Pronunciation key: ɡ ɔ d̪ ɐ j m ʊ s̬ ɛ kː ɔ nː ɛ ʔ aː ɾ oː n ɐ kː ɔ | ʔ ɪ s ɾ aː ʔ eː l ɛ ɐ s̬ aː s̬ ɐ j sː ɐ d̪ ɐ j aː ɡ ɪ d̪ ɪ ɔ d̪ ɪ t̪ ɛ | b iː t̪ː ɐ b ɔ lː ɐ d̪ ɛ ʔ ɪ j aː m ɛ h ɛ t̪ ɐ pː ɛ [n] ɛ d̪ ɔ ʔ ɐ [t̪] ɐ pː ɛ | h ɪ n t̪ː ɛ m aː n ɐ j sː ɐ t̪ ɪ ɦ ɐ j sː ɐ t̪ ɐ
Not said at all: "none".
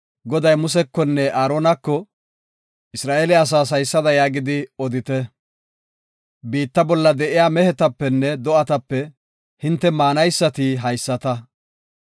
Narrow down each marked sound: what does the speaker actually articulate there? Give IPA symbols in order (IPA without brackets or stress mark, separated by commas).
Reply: nː, t̪